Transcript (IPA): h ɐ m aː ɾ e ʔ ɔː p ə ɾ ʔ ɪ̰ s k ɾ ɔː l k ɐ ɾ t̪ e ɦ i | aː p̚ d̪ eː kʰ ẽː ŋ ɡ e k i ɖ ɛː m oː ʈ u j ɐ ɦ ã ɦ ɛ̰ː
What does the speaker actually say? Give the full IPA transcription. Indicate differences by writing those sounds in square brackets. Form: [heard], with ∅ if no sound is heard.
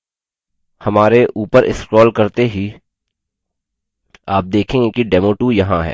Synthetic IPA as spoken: h ɐ m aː ɾ e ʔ [uː] p ə ɾ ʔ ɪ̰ s k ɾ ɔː l k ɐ ɾ t̪ e ɦ i | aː p̚ d̪ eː kʰ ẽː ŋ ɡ e k i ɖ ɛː m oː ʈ u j ɐ ɦ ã ɦ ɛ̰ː